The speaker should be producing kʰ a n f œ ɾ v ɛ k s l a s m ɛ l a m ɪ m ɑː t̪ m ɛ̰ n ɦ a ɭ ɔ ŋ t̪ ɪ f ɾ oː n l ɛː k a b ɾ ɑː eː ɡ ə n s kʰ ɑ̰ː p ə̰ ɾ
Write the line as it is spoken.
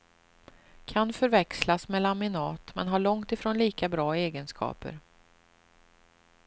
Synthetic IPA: kʰ a n f œ ɾ v ɛ k s l a s m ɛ l a m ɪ n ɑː t̪ m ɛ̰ n ɦ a ɭ ɔ ŋ t̪ ɪ f ɾ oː n l iː k a b ɾ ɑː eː ɡ ə n s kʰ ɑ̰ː p ə̰ ɾ